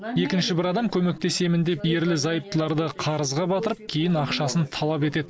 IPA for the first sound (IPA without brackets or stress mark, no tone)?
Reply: e̞